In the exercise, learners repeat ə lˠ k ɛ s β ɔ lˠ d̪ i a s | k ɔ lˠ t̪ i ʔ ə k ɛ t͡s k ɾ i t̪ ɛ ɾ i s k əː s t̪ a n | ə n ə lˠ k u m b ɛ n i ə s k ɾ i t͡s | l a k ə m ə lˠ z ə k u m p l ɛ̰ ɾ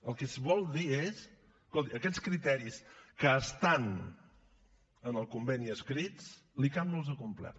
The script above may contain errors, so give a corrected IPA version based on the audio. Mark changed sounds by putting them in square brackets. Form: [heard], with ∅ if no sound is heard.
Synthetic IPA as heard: ə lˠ k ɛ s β ɔ lˠ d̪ i [e] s | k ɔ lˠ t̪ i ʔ ə k ɛ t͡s k ɾ i t̪ ɛ ɾ i s k əː s t̪ a n | ə n ə lˠ k u m b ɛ n i ə s k ɾ i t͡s | l [i] k [a] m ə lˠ z ə k u m p l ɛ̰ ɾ